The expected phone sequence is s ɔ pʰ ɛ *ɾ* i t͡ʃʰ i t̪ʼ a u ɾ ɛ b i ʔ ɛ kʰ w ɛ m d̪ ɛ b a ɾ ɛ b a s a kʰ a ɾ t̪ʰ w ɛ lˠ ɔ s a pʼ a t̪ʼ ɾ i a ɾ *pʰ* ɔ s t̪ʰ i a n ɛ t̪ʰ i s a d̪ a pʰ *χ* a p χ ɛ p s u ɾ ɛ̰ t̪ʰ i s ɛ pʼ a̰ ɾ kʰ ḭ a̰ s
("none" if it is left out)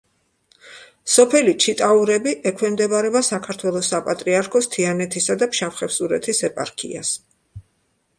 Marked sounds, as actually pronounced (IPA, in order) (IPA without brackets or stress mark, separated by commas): l, kʰ, ʃ